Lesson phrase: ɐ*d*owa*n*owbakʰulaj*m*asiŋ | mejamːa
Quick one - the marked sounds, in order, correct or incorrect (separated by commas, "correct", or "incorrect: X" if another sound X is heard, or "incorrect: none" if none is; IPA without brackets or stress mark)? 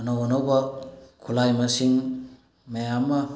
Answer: incorrect: n, correct, correct